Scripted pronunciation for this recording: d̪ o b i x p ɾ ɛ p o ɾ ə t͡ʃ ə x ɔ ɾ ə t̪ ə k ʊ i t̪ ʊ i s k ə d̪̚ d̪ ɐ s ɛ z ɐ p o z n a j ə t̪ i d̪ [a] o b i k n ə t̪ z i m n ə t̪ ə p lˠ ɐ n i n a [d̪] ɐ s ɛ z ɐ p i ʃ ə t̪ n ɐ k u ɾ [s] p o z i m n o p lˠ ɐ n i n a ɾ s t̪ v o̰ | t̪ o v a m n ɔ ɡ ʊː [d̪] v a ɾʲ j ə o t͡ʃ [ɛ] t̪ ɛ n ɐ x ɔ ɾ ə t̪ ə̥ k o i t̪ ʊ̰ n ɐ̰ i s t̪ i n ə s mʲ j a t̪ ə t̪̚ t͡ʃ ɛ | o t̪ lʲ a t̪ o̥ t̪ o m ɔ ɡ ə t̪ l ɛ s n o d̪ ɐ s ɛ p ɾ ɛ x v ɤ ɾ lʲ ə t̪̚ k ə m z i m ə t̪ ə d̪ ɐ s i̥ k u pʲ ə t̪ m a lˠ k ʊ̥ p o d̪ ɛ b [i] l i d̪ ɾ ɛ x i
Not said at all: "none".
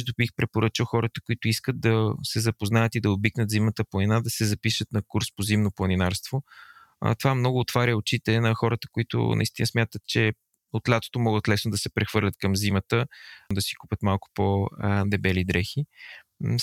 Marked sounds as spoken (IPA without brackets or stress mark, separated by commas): ɐ, d̪, s, t̪, i, ɛ